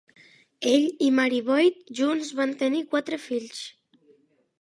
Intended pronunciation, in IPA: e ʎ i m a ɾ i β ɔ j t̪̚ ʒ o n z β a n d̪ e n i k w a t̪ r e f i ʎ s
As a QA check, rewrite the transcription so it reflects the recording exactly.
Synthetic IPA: e ʎ i m a ɾ i β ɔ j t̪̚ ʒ u n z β a n t̪ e n i k w a t̪ ɾ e f i ʎ s